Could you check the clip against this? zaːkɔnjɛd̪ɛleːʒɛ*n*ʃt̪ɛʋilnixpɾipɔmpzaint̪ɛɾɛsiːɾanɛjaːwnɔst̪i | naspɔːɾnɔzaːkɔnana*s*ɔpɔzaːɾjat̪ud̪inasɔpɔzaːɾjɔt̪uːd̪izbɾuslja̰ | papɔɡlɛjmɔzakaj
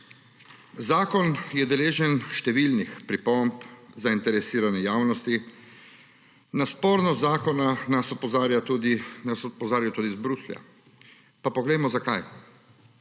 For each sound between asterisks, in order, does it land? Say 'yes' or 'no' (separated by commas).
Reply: yes, yes